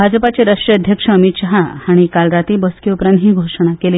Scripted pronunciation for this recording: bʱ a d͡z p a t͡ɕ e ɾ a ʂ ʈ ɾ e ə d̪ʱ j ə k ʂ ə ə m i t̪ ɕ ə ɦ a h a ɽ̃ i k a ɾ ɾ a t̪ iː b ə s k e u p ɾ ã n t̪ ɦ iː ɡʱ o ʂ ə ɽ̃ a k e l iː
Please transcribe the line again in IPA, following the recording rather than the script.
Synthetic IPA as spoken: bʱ a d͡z p a t͡ɕ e ɾ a ʂ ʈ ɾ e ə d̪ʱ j ə k ʂ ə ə m i t̪ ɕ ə ɦ a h a ɽ̃ i k a l ɾ a t̪ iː b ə s k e u p ɾ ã n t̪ ɦ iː ɡʱ o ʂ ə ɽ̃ a k e l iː